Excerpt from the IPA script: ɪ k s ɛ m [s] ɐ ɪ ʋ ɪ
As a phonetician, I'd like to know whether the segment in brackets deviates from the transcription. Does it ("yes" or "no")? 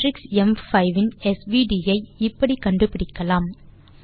yes